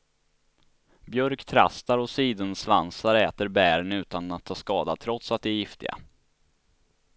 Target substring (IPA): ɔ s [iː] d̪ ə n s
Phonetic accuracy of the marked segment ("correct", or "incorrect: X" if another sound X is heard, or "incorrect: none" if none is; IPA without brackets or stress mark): correct